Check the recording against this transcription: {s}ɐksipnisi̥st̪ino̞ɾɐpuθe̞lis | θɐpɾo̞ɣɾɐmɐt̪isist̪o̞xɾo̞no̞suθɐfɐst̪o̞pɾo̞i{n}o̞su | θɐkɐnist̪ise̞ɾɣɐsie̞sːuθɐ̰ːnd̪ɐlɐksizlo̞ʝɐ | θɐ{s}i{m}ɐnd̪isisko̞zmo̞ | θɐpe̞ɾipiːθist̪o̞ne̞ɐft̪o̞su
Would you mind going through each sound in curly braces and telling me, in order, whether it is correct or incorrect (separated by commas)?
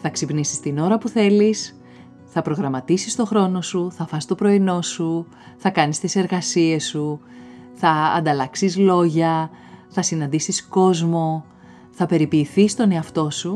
incorrect, correct, correct, incorrect